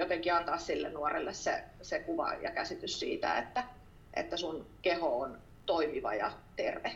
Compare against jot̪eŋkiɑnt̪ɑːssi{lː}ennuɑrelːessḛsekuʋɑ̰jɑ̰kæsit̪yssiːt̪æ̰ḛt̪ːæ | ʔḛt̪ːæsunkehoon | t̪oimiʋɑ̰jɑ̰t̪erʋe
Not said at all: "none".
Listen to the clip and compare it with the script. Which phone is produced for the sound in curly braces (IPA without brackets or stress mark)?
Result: lː